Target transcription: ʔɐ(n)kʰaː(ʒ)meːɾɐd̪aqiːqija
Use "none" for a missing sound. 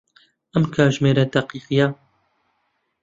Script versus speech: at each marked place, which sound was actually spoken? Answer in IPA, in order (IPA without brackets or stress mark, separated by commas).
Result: m, ʒ